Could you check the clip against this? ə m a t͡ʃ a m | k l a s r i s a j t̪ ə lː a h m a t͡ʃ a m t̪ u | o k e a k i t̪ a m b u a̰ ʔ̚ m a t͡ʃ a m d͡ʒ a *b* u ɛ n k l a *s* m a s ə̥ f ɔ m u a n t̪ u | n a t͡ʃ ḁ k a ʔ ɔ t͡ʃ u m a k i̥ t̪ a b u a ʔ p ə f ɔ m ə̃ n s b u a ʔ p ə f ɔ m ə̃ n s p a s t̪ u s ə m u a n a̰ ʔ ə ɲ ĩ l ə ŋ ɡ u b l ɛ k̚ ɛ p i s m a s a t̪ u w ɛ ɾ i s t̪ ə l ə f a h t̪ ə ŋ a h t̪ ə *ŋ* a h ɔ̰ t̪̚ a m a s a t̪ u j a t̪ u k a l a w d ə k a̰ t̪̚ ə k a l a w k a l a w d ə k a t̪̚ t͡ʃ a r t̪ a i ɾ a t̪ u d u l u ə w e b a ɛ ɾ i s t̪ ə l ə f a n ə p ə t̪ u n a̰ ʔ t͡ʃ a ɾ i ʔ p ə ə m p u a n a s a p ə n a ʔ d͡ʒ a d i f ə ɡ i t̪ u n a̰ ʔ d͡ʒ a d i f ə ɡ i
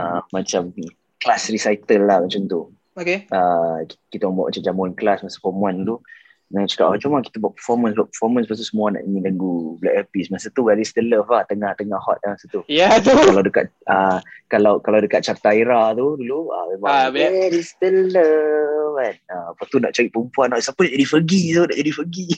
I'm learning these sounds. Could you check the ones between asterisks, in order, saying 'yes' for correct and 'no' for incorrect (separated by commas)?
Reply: no, yes, yes